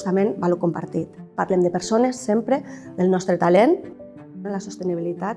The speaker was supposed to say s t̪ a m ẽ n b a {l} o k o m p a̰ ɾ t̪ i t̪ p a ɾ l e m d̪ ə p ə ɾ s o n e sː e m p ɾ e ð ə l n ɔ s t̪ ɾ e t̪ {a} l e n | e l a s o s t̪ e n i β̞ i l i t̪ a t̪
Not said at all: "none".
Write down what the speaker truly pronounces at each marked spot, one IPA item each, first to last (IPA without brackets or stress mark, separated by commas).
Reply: l, a